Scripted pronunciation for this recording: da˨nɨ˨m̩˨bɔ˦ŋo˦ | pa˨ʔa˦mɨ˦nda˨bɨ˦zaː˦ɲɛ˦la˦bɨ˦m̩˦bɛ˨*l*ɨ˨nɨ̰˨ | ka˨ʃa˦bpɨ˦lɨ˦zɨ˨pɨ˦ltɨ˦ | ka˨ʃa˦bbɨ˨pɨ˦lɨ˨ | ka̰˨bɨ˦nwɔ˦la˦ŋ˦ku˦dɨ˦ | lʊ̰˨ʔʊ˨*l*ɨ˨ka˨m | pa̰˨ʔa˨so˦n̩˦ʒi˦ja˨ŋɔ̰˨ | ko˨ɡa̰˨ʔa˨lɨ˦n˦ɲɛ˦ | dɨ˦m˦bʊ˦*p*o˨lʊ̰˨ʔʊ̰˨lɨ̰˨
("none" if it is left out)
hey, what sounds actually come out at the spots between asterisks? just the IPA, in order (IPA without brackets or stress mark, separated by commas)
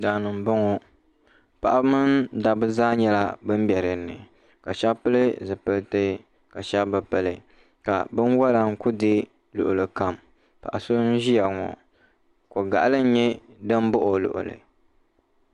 ɾ, l, ʔ